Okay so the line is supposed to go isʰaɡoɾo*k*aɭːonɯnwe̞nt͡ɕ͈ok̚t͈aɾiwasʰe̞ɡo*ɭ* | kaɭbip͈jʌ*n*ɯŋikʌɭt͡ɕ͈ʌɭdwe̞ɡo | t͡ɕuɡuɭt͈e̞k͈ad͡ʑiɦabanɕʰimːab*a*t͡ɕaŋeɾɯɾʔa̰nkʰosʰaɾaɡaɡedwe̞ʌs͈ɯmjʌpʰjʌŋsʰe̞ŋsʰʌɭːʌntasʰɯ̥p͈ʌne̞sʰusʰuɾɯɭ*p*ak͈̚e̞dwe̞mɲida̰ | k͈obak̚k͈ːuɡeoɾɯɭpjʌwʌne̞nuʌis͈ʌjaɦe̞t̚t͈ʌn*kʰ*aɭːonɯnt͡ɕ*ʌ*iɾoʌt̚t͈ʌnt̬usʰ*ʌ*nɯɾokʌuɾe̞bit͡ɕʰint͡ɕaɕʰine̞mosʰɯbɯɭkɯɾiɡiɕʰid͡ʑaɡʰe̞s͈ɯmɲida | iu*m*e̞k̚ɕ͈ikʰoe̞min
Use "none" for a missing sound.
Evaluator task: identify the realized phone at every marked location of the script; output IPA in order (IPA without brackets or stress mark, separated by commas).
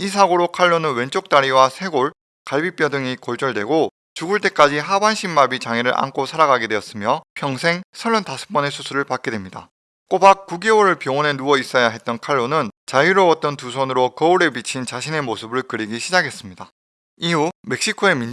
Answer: kʰ, ɭ, d, i, p, kʰ, a, ʌ, m